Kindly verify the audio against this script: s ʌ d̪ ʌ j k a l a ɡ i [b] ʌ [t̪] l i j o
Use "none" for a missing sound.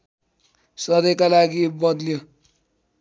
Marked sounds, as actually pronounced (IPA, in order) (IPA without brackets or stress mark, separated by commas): b, d̪